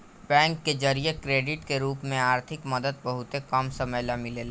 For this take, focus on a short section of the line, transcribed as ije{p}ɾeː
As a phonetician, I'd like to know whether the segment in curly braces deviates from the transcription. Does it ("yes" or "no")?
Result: yes